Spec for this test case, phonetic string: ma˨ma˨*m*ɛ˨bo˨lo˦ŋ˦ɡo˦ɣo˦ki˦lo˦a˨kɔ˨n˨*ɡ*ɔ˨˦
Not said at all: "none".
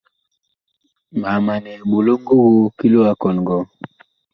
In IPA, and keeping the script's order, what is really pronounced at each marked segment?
n, ɡ

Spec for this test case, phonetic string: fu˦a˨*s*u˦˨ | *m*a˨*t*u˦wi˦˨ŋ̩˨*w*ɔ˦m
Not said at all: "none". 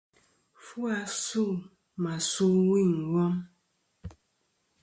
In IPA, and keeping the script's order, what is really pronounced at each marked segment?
s, m, s, w

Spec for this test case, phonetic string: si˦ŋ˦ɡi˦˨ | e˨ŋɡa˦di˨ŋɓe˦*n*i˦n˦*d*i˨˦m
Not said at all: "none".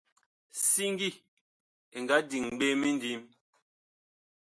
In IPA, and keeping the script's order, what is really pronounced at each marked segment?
m, d

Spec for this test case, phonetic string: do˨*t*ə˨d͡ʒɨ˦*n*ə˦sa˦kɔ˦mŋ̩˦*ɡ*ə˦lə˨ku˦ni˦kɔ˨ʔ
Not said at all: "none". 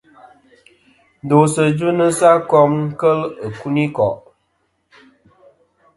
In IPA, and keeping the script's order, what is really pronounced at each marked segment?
s, n, k

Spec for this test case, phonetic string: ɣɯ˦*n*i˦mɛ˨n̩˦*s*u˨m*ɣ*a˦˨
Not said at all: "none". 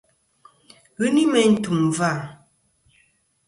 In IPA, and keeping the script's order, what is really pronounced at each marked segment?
n, t, v

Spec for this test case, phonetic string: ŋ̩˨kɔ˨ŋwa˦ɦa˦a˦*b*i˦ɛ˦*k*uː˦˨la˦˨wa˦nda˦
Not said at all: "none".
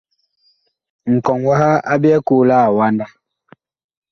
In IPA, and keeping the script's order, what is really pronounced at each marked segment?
b, k

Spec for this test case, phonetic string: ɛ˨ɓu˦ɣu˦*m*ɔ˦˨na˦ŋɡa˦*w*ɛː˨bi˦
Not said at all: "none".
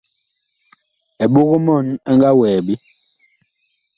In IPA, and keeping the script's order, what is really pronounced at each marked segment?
m, w

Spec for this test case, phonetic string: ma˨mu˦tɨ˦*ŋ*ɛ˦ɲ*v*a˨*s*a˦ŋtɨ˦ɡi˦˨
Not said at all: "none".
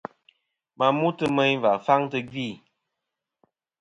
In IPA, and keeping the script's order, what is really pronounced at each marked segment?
m, v, f

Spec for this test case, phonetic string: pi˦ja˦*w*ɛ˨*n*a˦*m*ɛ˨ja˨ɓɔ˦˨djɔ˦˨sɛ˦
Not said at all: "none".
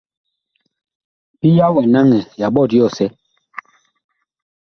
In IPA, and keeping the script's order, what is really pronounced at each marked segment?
w, n, ŋ

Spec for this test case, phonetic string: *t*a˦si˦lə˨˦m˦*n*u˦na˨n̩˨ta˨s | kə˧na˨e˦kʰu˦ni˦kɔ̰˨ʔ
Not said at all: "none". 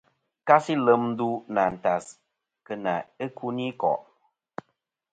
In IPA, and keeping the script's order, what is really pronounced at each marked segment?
k, d

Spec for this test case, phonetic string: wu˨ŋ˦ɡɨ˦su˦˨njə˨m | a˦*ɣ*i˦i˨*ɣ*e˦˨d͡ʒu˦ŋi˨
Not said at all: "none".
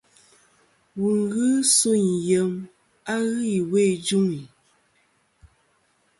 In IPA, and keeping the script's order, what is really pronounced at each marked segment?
ɣ, w

